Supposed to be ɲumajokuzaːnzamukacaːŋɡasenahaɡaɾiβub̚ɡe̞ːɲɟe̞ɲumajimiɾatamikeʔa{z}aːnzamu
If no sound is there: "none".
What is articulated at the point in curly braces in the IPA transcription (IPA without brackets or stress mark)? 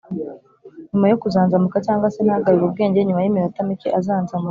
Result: z